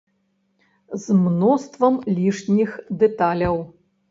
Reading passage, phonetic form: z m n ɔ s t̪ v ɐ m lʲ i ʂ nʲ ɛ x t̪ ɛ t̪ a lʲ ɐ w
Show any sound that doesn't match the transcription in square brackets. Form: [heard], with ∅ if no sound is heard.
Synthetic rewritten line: z m n ɔ s t̪ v ɐ m lʲ i ʂ nʲ [i] x [d̪] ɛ t̪ a lʲ ɐ w